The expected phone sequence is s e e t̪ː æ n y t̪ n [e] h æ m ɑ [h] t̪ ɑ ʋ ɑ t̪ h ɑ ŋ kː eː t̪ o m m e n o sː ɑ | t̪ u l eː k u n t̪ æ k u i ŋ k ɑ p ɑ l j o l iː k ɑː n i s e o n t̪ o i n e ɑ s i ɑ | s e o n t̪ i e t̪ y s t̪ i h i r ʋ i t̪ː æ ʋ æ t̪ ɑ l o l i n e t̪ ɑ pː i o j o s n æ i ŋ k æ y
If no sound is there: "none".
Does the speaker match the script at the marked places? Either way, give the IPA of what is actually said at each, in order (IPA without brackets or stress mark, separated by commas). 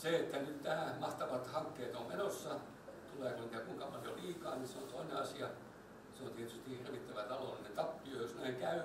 æ, h